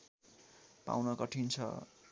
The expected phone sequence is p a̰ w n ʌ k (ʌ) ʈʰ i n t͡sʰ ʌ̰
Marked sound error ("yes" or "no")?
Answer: no